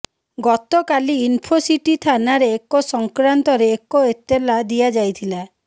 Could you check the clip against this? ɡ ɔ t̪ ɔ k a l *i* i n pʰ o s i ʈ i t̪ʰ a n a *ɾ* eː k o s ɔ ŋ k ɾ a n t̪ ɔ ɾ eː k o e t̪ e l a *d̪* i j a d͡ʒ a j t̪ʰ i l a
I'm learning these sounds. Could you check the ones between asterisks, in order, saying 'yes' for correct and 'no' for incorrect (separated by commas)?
yes, yes, yes